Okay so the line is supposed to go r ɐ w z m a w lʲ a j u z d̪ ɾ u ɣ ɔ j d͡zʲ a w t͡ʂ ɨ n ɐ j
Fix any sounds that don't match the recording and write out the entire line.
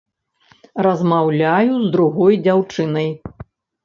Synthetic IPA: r ɐ z m a w lʲ a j u z d̪ ɾ u ɣ ɔ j d͡zʲ a w t͡ʂ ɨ n ɐ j